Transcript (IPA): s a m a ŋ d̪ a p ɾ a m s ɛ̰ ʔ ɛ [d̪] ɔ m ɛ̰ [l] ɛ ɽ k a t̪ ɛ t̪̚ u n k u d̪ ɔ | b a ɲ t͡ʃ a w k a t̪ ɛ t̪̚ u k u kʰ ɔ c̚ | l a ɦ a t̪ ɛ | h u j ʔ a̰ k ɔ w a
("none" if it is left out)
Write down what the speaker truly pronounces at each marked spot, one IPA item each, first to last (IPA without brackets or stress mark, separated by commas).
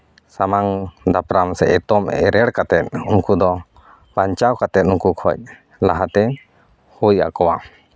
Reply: t̪, ɾ